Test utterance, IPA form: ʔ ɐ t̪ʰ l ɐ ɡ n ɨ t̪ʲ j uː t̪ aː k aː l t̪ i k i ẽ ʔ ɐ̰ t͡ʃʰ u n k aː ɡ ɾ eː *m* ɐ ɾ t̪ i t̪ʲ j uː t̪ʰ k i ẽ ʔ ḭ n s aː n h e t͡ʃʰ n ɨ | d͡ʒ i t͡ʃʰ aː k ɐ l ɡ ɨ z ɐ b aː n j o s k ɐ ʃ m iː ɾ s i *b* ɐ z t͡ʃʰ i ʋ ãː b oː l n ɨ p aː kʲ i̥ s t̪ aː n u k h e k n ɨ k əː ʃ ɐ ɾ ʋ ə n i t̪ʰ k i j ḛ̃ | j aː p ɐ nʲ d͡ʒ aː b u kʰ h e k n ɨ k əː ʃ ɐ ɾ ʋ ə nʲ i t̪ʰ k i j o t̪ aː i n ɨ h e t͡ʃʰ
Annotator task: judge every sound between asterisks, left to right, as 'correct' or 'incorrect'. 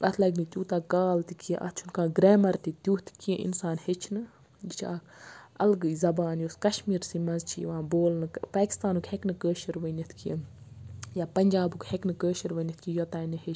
correct, incorrect

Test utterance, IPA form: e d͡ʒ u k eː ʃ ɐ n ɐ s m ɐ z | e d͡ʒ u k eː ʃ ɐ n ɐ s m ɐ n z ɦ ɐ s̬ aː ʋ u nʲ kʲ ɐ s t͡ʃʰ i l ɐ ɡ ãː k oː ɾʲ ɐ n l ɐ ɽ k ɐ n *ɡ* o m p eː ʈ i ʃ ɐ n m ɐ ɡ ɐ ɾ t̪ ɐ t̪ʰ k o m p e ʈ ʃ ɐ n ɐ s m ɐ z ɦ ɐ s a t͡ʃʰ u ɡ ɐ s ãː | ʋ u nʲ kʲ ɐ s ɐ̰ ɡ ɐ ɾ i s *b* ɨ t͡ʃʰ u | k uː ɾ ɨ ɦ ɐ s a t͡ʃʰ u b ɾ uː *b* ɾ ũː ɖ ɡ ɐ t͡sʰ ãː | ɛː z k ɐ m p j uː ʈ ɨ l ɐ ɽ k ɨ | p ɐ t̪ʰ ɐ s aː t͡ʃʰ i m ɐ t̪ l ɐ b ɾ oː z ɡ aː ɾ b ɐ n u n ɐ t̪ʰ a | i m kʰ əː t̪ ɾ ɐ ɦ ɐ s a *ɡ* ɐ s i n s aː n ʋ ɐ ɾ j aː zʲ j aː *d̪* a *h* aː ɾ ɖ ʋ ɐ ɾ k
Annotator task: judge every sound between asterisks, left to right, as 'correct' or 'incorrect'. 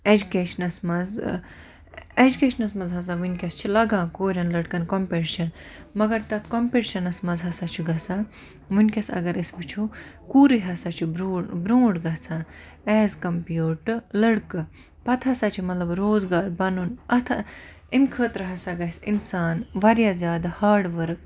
incorrect, correct, correct, correct, correct, correct

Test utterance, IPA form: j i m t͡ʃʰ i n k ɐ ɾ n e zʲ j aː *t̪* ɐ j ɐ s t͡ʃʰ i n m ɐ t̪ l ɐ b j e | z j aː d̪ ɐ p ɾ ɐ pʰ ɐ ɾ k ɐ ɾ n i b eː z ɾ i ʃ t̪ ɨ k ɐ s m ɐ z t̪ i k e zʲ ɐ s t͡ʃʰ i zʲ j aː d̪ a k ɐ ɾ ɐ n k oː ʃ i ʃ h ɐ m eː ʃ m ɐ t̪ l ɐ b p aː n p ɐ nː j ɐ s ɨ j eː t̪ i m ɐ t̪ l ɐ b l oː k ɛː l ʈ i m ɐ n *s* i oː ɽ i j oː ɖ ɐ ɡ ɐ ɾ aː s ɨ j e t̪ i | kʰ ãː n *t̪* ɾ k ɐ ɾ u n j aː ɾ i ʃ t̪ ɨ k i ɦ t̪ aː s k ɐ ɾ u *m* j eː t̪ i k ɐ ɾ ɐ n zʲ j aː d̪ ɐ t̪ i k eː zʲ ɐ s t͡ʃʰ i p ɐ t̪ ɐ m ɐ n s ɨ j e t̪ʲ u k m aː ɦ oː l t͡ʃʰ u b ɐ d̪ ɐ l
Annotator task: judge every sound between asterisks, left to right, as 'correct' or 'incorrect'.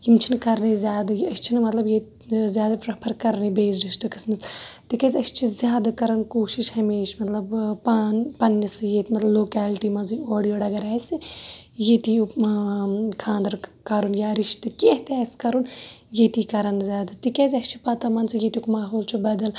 incorrect, incorrect, incorrect, incorrect

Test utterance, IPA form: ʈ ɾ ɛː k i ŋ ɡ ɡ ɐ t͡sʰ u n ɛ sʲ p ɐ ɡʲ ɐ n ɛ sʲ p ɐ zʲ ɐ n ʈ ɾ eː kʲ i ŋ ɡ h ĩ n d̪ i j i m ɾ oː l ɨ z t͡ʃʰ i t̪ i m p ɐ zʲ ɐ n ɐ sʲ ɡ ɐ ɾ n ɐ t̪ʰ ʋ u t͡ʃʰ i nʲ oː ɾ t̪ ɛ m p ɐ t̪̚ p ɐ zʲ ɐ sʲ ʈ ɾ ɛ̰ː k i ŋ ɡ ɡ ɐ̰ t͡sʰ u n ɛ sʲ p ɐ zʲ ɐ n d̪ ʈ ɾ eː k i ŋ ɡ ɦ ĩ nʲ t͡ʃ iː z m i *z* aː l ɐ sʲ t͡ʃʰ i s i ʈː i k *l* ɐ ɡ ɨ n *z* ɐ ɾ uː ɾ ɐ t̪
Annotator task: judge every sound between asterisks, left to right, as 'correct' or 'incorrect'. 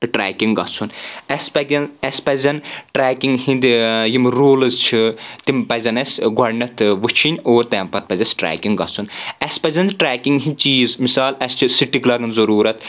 incorrect, correct, correct

